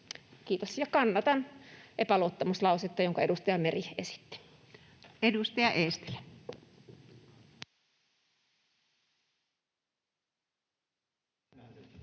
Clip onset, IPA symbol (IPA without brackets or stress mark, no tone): k